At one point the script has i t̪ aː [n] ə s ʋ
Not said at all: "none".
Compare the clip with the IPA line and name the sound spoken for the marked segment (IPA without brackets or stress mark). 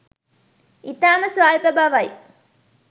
m